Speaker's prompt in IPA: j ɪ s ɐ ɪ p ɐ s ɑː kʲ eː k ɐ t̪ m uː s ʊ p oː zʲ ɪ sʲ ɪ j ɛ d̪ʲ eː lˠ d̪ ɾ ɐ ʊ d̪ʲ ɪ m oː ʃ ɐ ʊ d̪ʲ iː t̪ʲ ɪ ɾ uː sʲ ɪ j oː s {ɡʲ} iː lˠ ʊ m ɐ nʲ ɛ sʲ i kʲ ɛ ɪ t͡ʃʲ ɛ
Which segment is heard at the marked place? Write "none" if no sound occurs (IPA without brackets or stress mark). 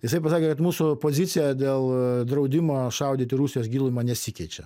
ɡʲ